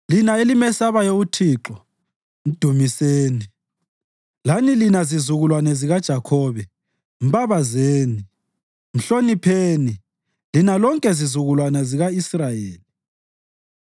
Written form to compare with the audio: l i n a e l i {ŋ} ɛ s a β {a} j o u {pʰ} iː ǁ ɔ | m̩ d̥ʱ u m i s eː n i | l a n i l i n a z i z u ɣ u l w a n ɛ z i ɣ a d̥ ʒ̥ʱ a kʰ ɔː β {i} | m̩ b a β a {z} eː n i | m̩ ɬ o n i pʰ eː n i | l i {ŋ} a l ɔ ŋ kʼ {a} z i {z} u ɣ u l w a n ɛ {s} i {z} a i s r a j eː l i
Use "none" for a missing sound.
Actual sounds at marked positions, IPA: m, a, tʰ, ɛ, z, n, ɛ, z, z, ɣ

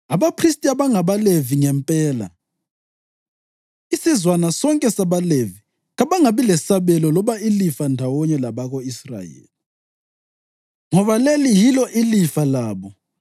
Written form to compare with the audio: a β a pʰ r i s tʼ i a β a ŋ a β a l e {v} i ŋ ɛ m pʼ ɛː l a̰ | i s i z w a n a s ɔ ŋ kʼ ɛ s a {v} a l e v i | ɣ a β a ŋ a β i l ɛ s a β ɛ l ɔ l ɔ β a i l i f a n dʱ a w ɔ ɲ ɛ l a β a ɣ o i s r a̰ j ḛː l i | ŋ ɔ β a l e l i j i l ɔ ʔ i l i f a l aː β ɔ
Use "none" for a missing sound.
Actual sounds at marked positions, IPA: v, β

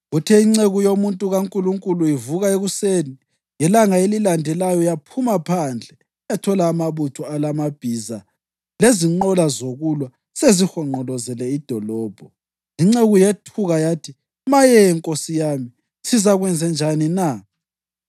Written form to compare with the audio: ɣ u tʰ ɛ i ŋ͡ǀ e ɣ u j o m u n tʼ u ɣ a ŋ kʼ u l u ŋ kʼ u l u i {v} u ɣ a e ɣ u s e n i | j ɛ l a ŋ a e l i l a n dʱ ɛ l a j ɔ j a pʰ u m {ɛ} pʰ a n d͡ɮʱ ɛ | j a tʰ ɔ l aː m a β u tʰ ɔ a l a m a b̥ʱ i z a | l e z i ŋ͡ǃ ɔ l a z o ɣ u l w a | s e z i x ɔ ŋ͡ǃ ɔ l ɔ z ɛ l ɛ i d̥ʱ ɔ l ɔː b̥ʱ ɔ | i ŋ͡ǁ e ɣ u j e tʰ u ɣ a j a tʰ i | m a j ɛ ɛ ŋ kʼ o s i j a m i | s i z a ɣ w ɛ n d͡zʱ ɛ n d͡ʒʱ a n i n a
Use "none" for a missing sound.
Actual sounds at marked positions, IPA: v, a

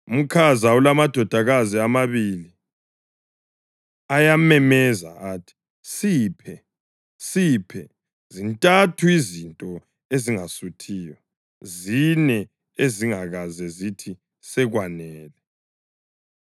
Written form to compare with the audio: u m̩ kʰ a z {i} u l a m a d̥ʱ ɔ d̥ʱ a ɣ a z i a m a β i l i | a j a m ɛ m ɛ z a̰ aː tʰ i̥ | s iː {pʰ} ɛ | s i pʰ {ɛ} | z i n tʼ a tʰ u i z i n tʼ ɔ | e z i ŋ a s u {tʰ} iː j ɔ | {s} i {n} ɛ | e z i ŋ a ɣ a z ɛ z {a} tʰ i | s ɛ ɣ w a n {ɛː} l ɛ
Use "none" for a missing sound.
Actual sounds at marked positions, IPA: a, pʰ, ɛ, tʰ, z, n, i, ɛː

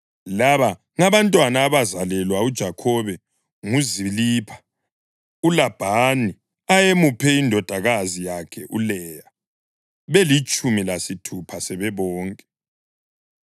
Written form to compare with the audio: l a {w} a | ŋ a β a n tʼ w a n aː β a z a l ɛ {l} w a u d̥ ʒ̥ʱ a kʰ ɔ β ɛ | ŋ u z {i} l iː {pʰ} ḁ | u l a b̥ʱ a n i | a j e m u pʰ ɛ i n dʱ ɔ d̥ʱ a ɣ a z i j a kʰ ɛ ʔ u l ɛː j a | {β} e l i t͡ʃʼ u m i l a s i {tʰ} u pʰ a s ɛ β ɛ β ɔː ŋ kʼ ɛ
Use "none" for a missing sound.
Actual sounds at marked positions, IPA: β, l, i, pʰ, β, tʰ

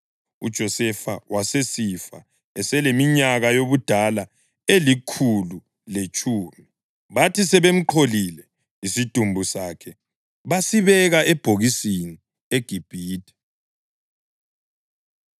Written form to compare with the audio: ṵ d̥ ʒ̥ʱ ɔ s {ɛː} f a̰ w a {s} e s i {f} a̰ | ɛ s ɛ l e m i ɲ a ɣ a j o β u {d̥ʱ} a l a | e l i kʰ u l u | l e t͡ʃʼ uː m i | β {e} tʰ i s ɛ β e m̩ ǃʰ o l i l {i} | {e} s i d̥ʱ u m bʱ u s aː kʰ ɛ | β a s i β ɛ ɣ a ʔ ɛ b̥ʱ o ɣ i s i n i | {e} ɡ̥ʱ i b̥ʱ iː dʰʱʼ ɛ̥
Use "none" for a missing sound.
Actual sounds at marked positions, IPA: ɛ, s, f, d̥ʱ, a, ɛ, i, e

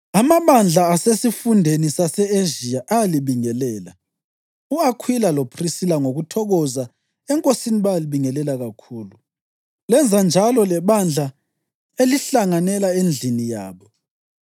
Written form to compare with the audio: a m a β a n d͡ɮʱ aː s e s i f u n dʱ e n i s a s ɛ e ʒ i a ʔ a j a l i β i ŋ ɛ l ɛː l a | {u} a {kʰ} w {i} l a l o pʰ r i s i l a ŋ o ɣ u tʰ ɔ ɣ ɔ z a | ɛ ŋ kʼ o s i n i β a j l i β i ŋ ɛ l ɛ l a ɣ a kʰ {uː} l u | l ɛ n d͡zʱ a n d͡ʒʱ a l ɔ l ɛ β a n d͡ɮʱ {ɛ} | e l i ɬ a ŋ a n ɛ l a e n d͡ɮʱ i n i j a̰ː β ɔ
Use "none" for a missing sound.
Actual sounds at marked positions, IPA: u, kʰ, i, uː, a

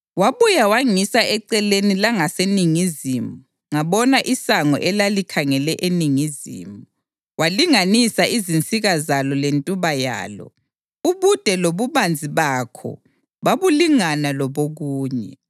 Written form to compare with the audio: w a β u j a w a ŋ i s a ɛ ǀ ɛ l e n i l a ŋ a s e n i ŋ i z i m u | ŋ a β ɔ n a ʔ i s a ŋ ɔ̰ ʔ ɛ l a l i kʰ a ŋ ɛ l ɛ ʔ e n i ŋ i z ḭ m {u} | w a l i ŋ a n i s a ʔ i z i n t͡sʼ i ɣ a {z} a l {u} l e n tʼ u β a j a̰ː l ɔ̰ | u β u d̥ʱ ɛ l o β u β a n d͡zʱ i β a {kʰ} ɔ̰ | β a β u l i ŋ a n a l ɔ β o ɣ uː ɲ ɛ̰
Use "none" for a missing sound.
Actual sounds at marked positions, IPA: u, z, ɔ, kʰ

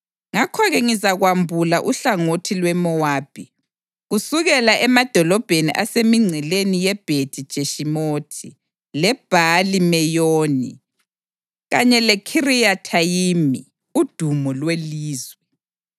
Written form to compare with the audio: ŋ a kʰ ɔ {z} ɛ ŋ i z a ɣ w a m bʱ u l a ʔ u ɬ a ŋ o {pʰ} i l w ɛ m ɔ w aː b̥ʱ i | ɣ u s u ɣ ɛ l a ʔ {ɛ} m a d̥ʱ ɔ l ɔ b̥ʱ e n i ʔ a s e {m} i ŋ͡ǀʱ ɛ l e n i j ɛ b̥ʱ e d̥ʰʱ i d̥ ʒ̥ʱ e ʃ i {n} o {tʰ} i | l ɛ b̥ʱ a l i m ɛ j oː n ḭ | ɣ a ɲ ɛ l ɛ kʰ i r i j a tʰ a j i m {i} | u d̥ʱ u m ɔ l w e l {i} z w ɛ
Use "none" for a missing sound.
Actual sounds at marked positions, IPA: ɣ, tʰ, ɛ, m, m, tʰ, i, iː

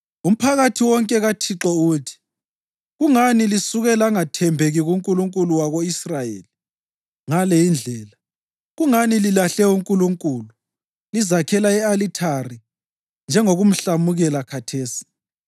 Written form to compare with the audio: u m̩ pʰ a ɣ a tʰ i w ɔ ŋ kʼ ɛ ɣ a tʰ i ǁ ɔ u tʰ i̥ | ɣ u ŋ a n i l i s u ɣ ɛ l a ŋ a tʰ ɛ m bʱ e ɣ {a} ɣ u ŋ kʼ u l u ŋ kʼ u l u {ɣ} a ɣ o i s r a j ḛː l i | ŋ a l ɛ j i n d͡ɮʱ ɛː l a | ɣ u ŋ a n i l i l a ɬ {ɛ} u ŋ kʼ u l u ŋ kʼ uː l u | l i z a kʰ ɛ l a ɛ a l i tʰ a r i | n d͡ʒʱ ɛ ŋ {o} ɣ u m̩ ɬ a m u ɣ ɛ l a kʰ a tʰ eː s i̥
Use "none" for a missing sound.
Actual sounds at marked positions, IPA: i, w, ɛ, o

